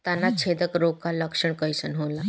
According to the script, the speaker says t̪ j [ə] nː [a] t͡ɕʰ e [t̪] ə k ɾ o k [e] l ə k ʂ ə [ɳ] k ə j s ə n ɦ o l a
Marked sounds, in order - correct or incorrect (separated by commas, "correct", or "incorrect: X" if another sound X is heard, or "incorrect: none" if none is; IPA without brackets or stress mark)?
incorrect: a, correct, incorrect: d̪, incorrect: a, correct